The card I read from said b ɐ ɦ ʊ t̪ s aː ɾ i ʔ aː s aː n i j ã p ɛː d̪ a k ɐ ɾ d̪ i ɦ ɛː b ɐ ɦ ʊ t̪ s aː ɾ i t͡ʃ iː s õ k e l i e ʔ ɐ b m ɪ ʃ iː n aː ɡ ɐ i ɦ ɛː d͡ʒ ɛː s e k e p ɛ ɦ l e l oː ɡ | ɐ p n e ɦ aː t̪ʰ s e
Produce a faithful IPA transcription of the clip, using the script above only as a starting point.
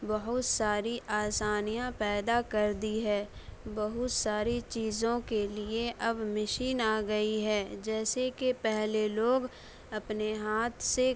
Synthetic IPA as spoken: b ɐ ɦ ʊ t̪ s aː ɾ i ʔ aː s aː n i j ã p ɛː d̪ a k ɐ ɾ d̪ i ɦ ɛː b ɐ ɦ ʊ t̪ s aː ɾ i t͡ʃ iː z õ k e l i e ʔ ɐ b m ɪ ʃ iː n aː ɡ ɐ i ɦ ɛː d͡ʒ ɛː s e k e p ɛ ɦ l e l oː ɡ | ɐ p n e ɦ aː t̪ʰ s e